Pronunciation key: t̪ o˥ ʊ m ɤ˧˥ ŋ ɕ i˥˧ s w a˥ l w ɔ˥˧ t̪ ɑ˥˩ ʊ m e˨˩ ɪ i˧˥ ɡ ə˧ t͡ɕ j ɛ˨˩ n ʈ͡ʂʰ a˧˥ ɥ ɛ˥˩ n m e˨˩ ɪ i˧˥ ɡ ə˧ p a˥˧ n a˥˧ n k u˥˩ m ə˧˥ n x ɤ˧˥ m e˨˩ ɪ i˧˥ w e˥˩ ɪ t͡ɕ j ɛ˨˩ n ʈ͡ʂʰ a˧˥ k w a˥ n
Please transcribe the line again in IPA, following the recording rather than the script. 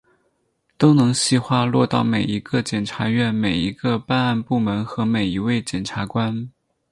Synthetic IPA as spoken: t̪ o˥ ʊ n ɤ˧˥ ŋ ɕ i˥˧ x w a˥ l w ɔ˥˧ t̪ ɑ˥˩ ʊ m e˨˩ ɪ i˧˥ ɡ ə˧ t͡ɕ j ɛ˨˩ n ʈ͡ʂʰ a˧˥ ɥ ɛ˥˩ n m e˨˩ ɪ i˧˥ ɡ ə˧ p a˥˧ n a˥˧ n p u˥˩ m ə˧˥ n x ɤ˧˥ m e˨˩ ɪ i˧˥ w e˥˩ ɪ t͡ɕ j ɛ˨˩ n ʈ͡ʂʰ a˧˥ k w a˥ n

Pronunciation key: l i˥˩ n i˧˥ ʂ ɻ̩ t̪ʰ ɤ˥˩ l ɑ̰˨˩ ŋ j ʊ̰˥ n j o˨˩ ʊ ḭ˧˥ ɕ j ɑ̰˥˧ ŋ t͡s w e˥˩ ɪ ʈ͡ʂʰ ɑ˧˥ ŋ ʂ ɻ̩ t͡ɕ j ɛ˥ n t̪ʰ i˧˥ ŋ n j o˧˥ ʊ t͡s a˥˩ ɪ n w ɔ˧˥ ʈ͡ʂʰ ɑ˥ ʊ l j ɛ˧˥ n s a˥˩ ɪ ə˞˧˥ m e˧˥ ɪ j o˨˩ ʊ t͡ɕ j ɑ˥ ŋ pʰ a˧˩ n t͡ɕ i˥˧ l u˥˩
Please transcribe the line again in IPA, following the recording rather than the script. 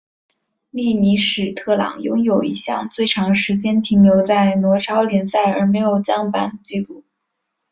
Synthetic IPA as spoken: l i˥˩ n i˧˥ ʂ ɻ̩ t̪ʰ ɤ˥˩ l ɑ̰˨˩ ŋ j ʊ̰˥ ŋ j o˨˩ ʊ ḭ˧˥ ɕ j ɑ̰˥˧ ŋ t͡s w e˥˩ ɪ ʈ͡ʂʰ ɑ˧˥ ŋ ʂ ɻ̩ t͡ɕ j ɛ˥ n t̪ʰ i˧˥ ŋ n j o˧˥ ʊ t͡s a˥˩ ɪ n w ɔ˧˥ ʈ͡ʂʰ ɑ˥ ʊ l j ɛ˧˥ n s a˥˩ ɪ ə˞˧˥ m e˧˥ ɪ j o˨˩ ʊ t͡ɕ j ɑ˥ ŋ p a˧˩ n t͡ɕ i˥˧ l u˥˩

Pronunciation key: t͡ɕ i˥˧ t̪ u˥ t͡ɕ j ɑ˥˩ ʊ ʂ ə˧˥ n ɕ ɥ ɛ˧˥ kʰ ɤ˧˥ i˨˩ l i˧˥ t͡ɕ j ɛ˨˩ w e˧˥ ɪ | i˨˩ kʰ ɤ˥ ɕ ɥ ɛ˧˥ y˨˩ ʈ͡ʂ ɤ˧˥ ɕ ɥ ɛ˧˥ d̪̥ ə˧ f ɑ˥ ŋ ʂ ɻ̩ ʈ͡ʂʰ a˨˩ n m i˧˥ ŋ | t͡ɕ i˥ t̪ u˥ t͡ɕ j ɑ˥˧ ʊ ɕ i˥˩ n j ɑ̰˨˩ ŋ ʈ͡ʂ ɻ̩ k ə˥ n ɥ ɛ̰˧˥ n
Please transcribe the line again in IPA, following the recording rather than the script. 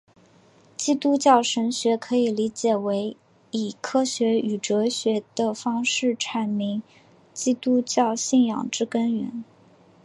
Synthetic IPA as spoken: t͡ɕ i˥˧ t̪ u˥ t͡ɕ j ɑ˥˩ ʊ ʂ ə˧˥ n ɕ ɥ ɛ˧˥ kʰ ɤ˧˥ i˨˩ l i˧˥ t͡ɕ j ɛ˨˩ w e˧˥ ɪ | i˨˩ kʰ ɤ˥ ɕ ɥ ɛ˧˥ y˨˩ ʈ͡ʂ ɤ˧˥ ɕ ɥ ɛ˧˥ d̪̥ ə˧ f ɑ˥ ŋ ʂ ɻ̩ ʈ͡ʂʰ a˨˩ n m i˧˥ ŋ | t͡ɕ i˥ t̪ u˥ t͡ɕ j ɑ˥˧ ʊ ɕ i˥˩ n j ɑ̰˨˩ ŋ ʈ͡ʂ ɻ̩ k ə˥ n ɥ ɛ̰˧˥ n

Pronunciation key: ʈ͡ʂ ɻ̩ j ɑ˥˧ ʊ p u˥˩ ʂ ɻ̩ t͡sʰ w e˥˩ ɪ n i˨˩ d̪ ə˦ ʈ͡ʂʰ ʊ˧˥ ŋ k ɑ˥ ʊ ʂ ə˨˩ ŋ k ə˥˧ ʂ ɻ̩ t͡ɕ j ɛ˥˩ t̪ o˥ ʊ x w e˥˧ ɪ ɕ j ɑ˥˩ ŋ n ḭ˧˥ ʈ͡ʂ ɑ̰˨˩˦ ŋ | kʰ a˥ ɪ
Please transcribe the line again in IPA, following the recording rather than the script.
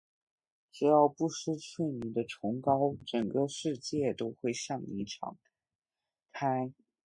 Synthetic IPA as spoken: ʈ͡ʂ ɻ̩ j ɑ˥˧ ʊ p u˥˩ ʂ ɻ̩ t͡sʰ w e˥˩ ɪ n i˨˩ d̪ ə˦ ʈ͡ʂʰ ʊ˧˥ ŋ k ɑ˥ ʊ ʈ͡ʂ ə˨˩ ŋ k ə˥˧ ʂ ɻ̩ t͡ɕ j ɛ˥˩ t̪ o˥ ʊ x w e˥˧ ɪ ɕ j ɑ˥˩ ŋ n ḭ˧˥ ʈ͡ʂʰ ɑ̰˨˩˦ ŋ | kʰ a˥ ɪ

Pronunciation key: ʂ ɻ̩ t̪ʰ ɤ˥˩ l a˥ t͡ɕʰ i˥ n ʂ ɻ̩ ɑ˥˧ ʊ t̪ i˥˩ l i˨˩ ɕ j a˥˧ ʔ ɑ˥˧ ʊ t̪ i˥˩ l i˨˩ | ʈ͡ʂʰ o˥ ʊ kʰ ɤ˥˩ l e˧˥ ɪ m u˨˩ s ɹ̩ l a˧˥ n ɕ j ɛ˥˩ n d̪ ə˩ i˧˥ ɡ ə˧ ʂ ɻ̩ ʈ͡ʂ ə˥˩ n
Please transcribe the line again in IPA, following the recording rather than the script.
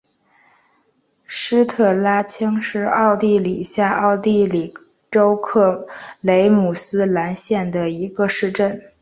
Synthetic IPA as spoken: ʂ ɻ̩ t̪ʰ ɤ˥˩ l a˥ t͡ɕʰ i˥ ŋ ʂ ɻ̩ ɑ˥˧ ʊ t̪ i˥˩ l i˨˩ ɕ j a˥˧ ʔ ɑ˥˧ ʊ t̪ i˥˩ l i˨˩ | ʈ͡ʂ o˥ ʊ kʰ ɤ˥˩ l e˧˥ ɪ m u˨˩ s ɹ̩ l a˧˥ n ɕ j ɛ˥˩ n d̪ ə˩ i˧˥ ɡ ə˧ ʂ ɻ̩ ʈ͡ʂ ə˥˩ n

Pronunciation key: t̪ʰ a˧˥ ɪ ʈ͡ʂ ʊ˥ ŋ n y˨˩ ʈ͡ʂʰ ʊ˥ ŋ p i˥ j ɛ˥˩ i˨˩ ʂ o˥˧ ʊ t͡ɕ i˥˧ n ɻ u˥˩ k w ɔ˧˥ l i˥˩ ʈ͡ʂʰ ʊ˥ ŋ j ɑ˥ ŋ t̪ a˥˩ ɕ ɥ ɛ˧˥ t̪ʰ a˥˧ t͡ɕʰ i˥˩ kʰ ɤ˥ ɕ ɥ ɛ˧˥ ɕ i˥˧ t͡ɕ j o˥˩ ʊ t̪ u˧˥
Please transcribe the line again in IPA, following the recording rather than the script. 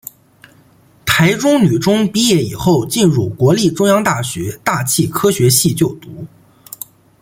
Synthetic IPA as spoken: t̪ʰ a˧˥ ɪ ʈ͡ʂ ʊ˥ ŋ n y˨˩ ʈ͡ʂ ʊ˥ ŋ p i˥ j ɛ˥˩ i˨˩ x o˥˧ ʊ t͡ɕ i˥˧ n ɻ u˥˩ k w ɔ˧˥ l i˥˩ ʈ͡ʂ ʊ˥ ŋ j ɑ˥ ŋ t̪ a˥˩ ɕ ɥ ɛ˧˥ t̪ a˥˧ t͡ɕʰ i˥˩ kʰ ɤ˥ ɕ ɥ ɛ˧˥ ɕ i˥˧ t͡ɕ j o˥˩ ʊ t̪ u˧˥

